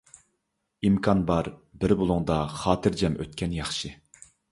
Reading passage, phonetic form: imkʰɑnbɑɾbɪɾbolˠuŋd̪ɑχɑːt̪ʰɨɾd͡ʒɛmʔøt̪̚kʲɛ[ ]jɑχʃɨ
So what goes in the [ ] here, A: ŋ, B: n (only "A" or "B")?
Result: B